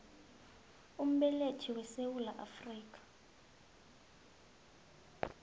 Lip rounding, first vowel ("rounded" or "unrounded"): rounded